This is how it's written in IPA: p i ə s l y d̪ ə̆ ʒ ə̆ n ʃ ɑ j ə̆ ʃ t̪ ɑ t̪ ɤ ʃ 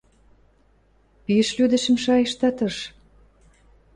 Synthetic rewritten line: p i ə ʃ l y d̪ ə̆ ʃ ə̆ m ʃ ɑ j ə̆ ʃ t̪ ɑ t̪ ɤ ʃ